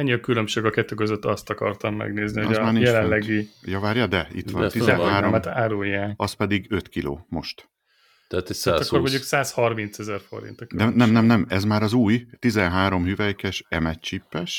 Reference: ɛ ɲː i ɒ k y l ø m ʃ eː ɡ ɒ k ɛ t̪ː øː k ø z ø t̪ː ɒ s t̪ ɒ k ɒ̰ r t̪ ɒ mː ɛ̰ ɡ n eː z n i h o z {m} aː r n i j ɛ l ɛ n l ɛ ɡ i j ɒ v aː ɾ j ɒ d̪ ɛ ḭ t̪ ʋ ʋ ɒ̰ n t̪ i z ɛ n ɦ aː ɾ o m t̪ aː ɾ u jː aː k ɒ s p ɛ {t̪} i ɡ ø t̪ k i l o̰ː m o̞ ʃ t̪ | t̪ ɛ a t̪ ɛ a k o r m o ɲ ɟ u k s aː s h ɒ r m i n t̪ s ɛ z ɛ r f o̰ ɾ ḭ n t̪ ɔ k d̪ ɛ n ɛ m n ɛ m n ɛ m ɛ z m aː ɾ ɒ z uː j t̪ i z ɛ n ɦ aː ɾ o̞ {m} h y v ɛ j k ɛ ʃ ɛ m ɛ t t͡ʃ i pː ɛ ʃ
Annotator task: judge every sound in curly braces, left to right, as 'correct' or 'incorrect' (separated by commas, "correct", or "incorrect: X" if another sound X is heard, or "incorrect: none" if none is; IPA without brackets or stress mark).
correct, incorrect: d̪, correct